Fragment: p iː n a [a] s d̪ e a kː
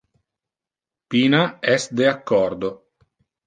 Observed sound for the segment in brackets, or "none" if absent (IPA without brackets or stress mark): ɛ